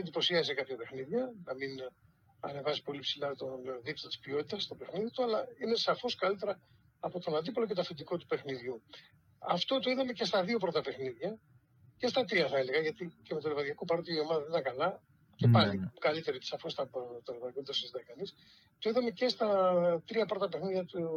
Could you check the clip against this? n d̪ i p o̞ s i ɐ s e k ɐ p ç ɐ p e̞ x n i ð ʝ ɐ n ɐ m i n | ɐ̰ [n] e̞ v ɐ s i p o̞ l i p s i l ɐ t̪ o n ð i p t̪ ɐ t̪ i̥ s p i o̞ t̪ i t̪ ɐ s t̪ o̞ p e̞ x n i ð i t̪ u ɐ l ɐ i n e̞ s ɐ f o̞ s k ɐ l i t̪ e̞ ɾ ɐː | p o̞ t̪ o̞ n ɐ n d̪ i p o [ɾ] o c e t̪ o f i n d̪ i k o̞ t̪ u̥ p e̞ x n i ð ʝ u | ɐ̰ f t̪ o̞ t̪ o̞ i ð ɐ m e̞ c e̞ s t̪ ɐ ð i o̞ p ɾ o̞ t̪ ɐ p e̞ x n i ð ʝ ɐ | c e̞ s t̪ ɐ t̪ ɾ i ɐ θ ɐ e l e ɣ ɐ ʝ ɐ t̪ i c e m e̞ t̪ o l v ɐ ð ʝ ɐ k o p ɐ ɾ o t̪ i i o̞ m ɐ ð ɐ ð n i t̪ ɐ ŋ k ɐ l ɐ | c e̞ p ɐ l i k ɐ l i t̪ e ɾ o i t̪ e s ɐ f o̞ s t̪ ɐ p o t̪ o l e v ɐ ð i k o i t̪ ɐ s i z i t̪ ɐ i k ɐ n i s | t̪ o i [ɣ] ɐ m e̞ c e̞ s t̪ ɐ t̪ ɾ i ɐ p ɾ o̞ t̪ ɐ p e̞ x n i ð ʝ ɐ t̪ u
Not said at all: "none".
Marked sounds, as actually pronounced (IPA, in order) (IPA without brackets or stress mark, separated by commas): n, l, ð